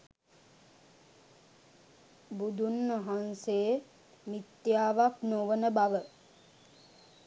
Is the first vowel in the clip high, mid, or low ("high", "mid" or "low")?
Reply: high